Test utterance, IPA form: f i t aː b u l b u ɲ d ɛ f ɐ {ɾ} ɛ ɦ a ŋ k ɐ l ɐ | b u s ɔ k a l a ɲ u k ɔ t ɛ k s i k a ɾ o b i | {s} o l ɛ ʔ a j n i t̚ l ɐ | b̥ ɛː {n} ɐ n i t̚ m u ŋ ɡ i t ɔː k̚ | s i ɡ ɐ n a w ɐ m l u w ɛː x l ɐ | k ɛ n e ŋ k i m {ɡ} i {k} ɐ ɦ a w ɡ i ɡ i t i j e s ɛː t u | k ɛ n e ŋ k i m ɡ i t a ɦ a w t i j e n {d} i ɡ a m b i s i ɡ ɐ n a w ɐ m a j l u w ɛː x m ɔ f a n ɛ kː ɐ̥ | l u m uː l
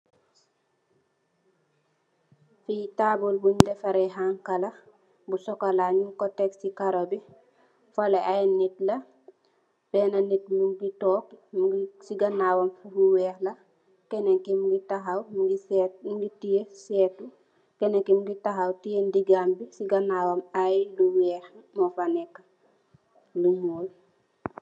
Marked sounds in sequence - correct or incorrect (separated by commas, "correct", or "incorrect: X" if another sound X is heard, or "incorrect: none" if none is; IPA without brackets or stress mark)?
correct, incorrect: f, correct, correct, incorrect: t, correct